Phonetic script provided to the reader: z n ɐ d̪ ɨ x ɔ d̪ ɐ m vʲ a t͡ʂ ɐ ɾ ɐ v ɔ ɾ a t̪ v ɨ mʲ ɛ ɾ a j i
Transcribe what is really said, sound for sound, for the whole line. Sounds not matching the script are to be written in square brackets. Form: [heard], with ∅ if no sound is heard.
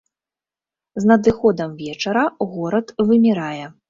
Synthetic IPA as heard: z n ɐ d̪ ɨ x ɔ d̪ ɐ m vʲ [ɛ] t͡ʂ ɐ ɾ ɐ [ɣ] ɔ ɾ [ɐ] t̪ v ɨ mʲ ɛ ɾ a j [ɛ]